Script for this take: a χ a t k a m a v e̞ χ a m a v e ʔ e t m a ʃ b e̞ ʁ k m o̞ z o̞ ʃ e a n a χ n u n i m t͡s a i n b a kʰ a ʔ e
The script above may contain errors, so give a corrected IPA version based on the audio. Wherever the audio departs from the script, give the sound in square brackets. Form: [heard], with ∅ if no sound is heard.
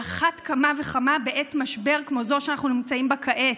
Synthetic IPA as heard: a χ a t k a m a v e̞ χ a m a [b] e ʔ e t m a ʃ b e̞ ʁ k m o̞ z o̞ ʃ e a n a χ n u n i m t͡s a i [m] b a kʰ a ʔ e